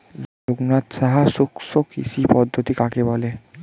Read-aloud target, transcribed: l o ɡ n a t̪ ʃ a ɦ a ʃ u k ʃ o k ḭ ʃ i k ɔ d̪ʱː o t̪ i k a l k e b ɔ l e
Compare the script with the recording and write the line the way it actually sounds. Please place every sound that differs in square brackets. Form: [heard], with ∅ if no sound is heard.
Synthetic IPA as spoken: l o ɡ n a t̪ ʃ a ɦ a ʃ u k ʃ o k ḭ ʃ i [p] ɔ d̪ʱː o t̪ i k a [∅] k e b ɔ l e